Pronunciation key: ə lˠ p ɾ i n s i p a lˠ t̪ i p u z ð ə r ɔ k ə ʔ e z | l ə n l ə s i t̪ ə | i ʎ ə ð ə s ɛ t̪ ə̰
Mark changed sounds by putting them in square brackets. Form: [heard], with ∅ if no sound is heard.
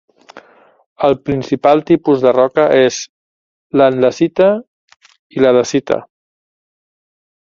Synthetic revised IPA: ə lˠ p ɾ i n s i p a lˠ t̪ i p u z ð ə r ɔ k ə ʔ e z | l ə n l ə s i t̪ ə | i [l] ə ð ə s [i] t̪ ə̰